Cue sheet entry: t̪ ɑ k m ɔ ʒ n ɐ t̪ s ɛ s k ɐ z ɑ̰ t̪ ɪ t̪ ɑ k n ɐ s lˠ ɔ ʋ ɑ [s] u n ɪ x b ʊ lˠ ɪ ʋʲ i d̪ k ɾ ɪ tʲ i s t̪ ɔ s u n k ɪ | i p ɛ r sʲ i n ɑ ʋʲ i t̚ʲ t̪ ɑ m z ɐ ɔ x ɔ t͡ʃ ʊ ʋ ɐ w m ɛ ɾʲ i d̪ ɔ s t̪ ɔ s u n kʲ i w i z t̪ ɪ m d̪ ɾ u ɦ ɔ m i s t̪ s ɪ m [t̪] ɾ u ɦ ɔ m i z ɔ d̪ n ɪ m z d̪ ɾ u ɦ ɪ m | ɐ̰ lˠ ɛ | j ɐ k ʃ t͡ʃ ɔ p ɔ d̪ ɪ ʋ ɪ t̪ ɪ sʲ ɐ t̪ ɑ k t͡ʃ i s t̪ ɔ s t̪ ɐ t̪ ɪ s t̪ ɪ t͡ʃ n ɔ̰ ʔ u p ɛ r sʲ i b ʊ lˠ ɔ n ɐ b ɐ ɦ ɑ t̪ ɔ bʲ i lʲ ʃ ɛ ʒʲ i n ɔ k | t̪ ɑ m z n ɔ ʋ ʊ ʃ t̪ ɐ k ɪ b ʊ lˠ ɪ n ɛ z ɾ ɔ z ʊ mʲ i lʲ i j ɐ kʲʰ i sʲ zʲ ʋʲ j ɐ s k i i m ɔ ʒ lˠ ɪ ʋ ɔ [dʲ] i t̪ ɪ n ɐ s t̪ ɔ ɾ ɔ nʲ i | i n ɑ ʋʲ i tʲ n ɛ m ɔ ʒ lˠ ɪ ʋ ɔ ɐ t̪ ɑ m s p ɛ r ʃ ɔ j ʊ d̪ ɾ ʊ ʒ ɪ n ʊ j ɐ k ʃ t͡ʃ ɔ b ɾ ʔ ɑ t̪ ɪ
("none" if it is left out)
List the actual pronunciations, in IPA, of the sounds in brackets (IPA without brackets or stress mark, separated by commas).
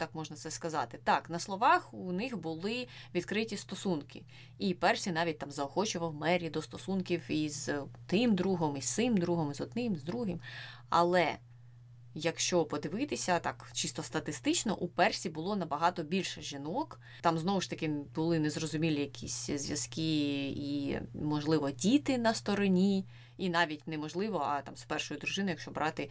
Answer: x, d̪, dʲ